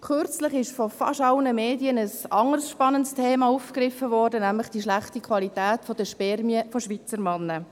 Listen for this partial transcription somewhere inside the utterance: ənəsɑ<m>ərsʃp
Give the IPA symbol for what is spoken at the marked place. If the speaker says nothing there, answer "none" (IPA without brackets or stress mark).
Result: ŋ